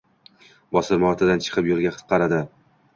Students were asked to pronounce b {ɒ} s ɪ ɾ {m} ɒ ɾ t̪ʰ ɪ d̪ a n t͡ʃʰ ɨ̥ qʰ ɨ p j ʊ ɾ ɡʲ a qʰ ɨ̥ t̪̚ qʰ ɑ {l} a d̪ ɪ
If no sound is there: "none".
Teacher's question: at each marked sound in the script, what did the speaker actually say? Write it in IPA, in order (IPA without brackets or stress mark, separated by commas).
ɒ, m, ɾ